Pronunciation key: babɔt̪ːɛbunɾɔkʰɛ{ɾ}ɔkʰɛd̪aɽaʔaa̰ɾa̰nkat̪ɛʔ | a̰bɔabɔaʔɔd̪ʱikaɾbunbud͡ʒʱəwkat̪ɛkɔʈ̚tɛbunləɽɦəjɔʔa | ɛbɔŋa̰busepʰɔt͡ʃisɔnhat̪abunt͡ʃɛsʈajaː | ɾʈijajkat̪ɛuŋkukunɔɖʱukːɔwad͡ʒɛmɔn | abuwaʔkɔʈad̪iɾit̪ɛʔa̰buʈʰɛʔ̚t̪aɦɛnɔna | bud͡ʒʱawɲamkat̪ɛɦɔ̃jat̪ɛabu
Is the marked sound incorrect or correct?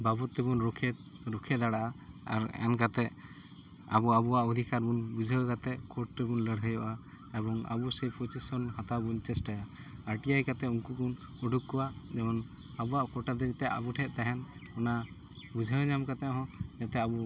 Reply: correct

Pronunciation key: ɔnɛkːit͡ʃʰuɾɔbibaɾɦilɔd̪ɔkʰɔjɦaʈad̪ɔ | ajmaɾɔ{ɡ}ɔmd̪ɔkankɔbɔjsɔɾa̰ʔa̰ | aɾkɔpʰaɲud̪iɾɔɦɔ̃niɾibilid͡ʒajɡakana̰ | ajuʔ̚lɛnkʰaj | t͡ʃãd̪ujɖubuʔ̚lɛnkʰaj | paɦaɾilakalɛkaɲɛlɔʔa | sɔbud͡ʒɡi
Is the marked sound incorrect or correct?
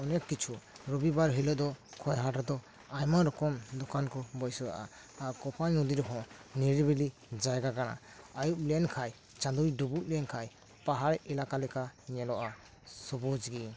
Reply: incorrect: k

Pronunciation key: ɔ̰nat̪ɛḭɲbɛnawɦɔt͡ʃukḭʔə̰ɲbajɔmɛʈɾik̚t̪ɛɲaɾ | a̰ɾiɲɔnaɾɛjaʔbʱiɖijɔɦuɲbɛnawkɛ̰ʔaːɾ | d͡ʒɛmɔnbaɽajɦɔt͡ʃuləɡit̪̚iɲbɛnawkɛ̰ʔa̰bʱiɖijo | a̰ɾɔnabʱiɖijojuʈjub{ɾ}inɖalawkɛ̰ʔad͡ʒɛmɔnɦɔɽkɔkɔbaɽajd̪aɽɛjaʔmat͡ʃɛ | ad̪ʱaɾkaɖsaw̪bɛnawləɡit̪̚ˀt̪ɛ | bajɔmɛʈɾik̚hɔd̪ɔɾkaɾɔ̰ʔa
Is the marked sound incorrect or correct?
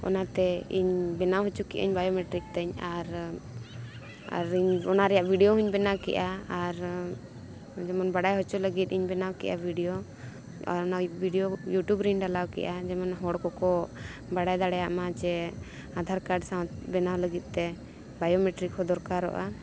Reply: correct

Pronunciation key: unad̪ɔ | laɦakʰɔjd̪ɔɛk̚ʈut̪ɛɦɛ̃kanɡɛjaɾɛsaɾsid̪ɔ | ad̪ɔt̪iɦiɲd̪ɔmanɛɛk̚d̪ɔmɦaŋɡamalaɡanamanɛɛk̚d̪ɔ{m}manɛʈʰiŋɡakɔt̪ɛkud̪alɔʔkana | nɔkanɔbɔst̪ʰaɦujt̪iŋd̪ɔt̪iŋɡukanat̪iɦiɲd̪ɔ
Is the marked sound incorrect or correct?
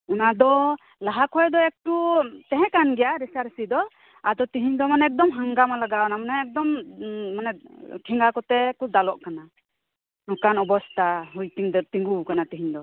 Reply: correct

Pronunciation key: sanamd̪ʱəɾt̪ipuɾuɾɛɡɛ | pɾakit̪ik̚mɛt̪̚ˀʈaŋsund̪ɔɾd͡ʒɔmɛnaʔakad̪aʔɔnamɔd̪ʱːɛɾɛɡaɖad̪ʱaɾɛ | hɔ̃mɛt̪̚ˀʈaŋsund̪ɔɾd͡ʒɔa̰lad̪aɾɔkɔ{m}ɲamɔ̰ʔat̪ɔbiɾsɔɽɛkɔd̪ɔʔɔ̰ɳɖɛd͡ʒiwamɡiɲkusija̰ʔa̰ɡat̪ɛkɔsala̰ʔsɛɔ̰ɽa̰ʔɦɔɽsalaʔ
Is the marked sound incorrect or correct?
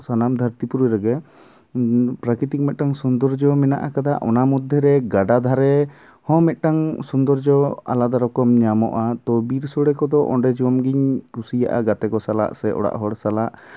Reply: correct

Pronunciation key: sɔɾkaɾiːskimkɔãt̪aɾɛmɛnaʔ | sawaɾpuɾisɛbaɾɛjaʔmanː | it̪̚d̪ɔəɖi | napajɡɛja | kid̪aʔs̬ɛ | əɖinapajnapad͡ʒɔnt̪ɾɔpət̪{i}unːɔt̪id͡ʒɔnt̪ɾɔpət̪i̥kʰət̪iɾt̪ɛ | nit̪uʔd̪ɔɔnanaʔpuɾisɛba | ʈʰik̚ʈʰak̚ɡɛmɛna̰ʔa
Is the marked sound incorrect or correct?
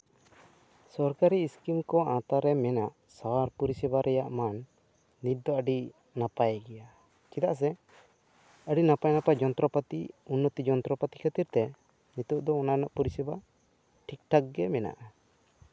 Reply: correct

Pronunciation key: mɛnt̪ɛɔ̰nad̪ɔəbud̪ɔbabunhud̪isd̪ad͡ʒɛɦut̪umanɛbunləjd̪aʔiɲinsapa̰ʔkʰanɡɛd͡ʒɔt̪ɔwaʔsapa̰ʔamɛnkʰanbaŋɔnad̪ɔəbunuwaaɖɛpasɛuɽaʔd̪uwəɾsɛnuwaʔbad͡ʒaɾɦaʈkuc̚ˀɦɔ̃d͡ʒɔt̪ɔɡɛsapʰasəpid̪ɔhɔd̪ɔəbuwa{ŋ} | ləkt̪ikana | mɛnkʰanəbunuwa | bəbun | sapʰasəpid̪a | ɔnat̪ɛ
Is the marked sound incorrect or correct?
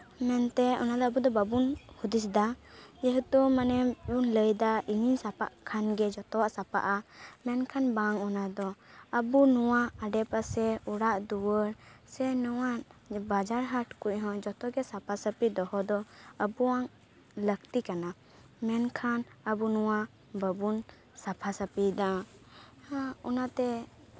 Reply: correct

